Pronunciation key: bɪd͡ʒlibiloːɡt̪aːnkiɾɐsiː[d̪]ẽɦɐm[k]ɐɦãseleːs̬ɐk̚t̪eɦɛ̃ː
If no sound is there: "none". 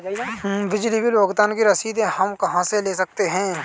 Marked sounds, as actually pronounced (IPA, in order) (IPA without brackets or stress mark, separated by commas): d̪, k